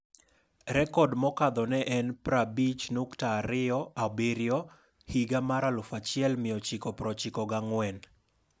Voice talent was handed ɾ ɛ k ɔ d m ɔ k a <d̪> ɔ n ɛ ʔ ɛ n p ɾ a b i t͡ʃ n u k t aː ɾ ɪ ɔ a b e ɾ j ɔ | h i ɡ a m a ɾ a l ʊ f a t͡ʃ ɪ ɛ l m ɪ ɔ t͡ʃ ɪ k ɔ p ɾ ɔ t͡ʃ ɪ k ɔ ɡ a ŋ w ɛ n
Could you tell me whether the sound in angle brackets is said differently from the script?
no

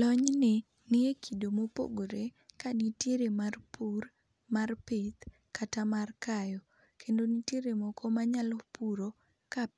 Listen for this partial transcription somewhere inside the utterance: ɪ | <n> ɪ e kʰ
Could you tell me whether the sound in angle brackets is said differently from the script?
no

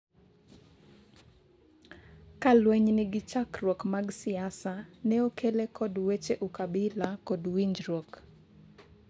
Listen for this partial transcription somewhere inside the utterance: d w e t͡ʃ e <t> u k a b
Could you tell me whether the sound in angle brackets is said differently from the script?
yes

